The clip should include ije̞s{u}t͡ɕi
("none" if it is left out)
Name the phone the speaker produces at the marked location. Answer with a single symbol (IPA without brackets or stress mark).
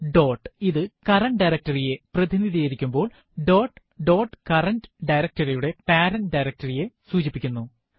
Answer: uː